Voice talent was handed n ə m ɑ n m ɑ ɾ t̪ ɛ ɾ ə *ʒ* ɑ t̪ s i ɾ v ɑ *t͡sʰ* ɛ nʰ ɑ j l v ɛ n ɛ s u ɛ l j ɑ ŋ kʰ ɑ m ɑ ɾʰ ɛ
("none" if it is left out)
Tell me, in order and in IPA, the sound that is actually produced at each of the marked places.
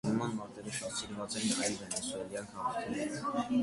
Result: ʃ, t͡s

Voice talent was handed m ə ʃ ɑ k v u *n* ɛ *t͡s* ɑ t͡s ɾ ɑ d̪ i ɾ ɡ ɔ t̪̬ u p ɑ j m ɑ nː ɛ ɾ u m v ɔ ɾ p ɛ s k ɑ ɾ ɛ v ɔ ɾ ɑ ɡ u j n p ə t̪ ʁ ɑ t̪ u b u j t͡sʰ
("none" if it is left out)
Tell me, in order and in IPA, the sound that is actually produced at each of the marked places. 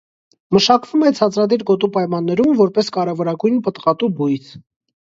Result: m, t͡sʰ

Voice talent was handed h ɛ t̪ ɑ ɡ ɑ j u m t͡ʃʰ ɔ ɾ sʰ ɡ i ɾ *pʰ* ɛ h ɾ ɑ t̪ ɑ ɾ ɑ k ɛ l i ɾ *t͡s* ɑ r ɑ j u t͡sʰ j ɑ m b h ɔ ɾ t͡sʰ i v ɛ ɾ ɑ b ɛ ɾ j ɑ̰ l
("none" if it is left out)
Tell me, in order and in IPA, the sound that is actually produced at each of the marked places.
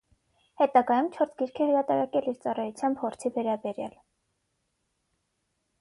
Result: kʰ, t͡s

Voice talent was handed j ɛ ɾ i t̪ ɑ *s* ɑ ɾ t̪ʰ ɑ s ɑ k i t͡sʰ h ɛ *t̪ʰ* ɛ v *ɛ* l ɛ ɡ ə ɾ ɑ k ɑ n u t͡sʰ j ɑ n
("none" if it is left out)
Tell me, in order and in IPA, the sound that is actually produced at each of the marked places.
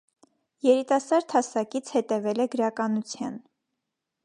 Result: s, t̪, ɛ

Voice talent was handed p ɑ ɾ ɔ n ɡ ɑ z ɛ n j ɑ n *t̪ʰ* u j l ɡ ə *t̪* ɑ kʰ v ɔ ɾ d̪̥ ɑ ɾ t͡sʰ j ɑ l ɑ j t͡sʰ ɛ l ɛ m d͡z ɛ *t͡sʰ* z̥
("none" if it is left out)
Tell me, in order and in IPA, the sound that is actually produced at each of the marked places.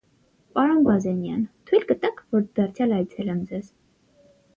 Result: t̪ʰ, t̪, none

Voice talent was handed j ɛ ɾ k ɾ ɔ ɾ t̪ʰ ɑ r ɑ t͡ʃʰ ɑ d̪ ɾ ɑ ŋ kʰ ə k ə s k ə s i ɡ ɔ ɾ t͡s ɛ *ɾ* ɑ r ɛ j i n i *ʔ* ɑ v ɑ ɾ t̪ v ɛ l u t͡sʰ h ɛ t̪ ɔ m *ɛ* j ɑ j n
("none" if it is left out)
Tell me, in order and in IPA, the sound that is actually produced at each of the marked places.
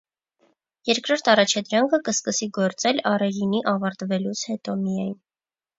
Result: l, ʔ, i

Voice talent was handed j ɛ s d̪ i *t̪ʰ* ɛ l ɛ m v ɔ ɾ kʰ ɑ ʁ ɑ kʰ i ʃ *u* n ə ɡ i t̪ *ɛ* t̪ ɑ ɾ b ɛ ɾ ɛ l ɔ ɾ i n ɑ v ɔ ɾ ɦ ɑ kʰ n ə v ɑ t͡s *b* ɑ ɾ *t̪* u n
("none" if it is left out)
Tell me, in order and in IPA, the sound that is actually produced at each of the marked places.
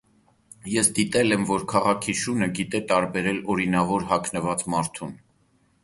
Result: t̪, u, ɛ, m, t̪ʰ

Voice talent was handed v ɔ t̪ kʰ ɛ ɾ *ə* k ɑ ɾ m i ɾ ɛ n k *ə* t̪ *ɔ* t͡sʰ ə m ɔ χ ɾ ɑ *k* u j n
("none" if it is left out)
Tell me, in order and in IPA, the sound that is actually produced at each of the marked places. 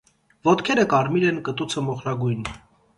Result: ə, ə, u, ɡ

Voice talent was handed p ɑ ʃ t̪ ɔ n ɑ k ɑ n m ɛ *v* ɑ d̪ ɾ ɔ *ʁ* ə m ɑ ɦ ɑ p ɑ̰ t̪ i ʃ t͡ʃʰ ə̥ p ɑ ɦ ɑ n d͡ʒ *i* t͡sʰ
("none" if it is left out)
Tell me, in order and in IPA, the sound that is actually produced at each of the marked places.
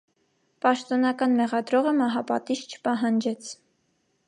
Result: ʁ, ʁ, ɛ

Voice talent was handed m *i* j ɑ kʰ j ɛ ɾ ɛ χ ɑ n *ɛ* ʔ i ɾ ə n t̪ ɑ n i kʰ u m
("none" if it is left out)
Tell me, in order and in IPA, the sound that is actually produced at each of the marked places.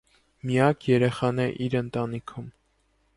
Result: i, ɛ

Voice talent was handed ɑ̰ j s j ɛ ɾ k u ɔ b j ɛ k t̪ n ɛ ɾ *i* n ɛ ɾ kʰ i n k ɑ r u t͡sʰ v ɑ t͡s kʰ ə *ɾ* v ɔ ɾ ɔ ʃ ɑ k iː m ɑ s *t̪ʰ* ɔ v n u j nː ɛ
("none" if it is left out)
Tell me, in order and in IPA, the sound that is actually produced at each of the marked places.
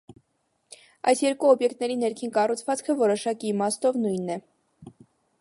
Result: i, none, t̪

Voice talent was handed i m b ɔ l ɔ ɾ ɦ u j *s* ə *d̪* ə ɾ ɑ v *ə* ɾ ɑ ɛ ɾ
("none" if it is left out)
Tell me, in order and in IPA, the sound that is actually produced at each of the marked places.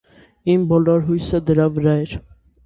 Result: s, d̪, ə

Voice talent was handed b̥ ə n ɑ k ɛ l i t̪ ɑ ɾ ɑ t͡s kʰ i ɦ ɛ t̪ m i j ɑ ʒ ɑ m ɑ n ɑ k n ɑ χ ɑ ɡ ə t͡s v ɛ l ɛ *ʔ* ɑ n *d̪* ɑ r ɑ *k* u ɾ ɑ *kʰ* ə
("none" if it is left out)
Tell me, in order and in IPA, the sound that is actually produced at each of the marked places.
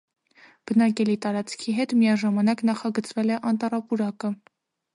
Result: ʔ, t̪, p, k

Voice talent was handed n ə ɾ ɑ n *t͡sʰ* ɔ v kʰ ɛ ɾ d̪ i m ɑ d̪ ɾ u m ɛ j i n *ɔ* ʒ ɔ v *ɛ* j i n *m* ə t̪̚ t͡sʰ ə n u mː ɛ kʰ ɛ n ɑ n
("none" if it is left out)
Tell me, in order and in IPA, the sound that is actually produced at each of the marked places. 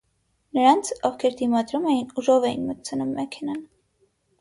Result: t͡sʰ, u, ɛ, m

